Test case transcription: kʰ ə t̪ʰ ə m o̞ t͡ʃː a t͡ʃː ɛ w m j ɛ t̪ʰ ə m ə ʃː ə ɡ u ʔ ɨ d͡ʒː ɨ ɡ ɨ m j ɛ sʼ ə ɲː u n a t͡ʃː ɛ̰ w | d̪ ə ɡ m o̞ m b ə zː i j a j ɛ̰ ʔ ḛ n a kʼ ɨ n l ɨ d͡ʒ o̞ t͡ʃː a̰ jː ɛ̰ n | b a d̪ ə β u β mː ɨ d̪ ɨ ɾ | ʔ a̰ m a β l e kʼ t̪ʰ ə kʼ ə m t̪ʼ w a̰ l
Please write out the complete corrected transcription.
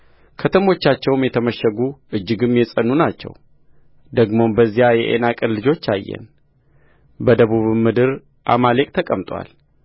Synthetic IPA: kʰ ə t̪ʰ ə m o̞ t͡ʃː a t͡ʃː ɛ w m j ɛ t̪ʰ ə m ə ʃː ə ɡ u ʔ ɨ d͡ʒː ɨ ɡ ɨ m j ɛ sʼ ə nː u n a t͡ʃː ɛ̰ w | d̪ ə ɡ m o̞ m b ə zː i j a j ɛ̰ ʔ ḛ n a kʼ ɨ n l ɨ d͡ʒ o̞ t͡ʃː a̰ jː ɛ̰ n | b ə d̪ ə β u β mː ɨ d̪ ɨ ɾ | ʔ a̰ m a l e kʼ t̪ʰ ə kʼ ə m t̪ʼ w a̰ l